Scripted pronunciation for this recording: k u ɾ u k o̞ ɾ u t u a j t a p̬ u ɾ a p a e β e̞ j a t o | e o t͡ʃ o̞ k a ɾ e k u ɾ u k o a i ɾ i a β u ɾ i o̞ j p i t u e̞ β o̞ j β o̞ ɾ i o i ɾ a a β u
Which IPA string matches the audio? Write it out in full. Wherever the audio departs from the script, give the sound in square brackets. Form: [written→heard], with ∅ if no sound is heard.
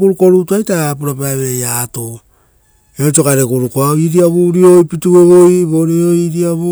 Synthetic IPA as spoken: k u ɾ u k o̞ ɾ u t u a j t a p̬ u ɾ a p a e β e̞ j a t o | e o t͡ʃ o̞ k a ɾ e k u ɾ u k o a i ɾ i a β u ɾ i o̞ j p i t u e̞ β o̞ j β o̞ ɾ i o i ɾ [a→i] a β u